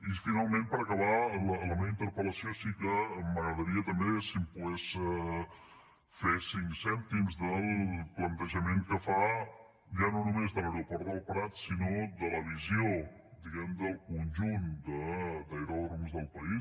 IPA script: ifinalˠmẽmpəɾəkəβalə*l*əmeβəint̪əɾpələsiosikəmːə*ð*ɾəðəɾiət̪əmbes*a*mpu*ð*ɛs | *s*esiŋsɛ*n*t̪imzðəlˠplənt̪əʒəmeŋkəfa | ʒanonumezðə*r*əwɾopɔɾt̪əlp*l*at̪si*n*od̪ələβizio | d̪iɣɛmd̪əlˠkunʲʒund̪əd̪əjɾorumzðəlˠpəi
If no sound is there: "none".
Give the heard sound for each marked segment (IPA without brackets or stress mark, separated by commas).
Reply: l, ɣ, i, ɣ, f, n, l, ɾ, n